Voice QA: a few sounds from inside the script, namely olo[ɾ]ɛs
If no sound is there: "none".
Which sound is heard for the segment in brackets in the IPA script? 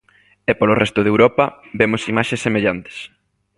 r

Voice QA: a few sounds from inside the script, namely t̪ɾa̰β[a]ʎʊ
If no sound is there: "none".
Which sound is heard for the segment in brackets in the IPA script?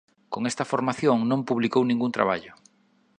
a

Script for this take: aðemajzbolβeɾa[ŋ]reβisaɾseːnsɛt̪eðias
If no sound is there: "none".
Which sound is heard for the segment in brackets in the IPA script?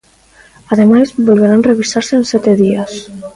n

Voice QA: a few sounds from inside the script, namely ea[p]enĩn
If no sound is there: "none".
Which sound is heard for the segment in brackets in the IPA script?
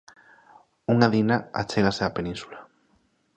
p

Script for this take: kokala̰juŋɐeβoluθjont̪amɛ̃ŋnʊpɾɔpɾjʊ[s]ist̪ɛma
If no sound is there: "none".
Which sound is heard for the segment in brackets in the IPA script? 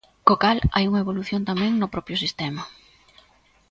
s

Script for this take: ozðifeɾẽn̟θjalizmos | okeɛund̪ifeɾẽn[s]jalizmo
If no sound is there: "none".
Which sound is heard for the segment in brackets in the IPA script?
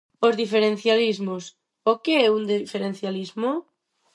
θ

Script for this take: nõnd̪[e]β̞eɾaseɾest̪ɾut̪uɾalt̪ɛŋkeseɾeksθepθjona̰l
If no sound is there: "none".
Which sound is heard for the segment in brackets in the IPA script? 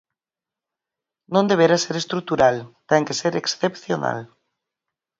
e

